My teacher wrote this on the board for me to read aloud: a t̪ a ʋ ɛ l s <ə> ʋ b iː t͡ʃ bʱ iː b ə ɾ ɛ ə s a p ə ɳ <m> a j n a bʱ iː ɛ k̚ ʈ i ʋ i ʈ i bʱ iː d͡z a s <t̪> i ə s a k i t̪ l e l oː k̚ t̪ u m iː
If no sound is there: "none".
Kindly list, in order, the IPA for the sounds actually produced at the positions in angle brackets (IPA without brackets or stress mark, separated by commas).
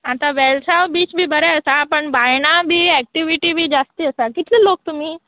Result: a, b, t̪